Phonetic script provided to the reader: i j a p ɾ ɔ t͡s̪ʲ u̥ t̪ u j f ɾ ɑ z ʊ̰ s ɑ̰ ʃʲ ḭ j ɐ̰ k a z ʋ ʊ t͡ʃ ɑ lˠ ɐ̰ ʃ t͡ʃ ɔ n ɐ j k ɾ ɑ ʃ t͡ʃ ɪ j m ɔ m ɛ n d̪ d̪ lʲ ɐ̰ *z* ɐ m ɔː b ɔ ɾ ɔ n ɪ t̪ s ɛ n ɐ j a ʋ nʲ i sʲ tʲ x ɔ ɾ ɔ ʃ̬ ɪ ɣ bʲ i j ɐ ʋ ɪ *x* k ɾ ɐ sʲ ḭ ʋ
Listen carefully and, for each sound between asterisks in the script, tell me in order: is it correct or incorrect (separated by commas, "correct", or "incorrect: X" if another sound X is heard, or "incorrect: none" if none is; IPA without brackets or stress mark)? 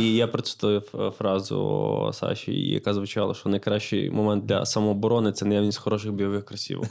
incorrect: s, correct